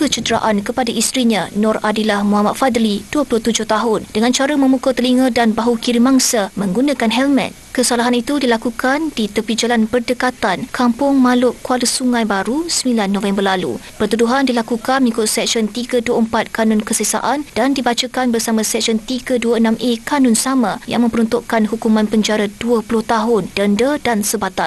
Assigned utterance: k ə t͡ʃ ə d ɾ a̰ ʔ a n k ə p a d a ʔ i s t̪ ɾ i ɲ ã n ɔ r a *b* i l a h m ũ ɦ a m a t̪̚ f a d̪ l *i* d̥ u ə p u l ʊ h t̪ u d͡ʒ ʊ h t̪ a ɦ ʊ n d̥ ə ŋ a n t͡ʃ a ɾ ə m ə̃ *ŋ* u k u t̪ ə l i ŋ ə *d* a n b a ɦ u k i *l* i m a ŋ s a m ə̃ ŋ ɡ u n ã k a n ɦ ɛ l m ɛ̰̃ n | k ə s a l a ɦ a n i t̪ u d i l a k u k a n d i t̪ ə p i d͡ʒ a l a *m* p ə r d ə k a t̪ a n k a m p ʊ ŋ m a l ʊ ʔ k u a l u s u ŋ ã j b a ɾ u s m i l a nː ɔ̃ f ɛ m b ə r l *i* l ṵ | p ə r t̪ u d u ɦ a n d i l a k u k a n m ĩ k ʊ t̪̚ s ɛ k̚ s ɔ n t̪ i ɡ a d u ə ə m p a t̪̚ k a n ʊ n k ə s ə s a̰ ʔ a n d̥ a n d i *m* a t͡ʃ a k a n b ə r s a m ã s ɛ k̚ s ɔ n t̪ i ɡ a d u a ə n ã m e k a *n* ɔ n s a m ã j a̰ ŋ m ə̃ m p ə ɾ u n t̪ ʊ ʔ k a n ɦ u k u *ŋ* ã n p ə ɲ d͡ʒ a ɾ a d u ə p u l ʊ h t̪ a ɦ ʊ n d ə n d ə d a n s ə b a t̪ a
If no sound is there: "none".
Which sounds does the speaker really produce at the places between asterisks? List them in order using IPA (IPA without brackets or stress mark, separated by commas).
d, i, m, d, ɾ, n, a, b, n, m